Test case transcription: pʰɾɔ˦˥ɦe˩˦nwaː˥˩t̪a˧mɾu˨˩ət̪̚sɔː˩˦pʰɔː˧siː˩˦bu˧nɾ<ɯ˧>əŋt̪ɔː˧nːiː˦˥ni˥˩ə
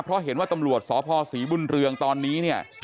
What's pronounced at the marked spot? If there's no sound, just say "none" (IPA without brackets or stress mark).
ɯ˧